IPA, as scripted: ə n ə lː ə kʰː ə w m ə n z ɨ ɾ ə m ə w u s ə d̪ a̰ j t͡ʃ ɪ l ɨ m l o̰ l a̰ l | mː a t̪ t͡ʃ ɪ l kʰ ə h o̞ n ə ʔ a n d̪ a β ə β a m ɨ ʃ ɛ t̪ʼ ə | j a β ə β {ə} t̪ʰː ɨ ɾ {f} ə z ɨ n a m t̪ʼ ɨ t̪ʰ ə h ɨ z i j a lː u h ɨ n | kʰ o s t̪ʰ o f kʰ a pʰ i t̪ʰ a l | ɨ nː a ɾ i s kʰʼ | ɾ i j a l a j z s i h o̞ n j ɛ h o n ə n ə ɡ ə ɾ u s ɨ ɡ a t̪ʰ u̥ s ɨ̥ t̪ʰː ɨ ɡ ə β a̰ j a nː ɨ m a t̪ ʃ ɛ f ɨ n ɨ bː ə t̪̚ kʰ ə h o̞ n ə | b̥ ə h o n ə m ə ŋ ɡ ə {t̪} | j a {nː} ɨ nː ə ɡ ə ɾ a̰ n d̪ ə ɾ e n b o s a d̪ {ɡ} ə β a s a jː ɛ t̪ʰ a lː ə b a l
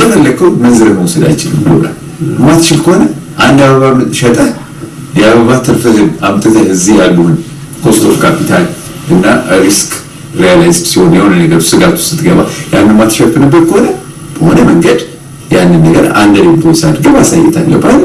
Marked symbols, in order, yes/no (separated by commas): no, yes, no, yes, yes